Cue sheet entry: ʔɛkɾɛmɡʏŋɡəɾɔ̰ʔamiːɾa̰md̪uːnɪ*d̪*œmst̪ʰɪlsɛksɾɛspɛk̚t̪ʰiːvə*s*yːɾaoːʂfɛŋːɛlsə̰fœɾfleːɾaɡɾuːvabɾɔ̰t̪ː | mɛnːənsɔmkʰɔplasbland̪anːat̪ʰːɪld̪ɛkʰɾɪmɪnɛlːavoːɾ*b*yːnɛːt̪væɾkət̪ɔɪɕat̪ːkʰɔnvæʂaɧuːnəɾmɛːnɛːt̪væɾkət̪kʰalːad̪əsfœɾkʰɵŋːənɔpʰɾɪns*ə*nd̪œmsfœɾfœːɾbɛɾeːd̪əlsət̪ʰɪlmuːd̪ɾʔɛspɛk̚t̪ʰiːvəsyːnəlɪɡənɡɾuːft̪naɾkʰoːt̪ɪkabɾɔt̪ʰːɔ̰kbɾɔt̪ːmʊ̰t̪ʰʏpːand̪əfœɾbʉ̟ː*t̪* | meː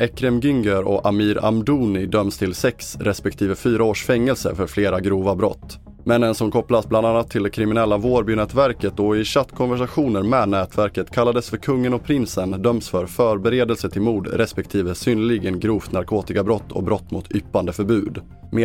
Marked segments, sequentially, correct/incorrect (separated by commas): correct, incorrect, correct, correct, incorrect